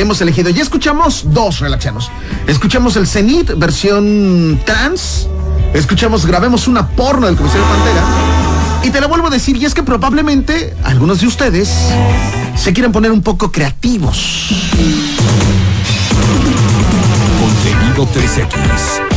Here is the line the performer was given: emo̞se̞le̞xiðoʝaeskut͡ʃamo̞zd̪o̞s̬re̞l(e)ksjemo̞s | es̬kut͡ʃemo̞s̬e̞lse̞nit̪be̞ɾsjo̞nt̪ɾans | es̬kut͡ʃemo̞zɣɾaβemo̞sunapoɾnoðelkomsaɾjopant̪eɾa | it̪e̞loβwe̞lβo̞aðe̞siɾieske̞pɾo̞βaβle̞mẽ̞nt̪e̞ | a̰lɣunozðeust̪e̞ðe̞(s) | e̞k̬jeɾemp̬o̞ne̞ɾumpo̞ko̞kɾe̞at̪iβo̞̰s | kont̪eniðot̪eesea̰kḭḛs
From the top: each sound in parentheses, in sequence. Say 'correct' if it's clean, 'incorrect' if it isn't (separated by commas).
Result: incorrect, incorrect